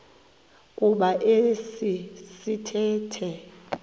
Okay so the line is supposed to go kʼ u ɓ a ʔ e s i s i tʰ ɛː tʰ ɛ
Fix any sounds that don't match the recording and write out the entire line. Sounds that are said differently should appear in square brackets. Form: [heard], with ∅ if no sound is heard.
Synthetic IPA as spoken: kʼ u ɓ a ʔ e s i s i tʰ ɛː tʰ ɛ